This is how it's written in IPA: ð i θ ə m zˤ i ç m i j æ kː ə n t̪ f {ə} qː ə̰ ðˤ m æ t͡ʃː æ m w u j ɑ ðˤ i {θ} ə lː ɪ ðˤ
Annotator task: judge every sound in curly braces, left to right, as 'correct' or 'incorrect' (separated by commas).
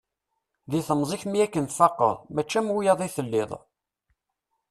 incorrect, correct